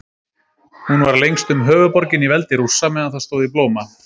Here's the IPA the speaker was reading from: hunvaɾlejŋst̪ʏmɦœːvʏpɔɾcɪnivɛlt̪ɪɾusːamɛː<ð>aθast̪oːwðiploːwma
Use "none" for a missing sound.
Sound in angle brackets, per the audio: ð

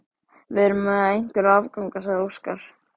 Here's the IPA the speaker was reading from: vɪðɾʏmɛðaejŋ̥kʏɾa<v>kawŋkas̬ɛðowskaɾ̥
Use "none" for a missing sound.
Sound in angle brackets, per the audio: v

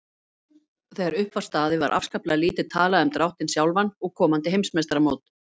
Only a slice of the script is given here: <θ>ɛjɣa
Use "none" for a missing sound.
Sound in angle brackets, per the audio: θ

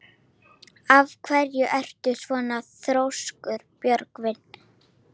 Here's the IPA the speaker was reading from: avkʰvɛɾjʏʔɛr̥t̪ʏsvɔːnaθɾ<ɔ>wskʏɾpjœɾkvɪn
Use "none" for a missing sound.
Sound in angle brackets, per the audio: o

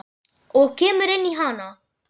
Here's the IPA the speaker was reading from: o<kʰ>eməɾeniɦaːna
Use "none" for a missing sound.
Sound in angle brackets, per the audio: k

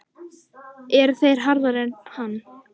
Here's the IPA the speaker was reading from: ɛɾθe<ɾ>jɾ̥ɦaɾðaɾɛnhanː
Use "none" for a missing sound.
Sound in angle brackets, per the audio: none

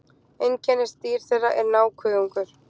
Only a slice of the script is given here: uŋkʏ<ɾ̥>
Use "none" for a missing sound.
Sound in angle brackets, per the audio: ɾ̥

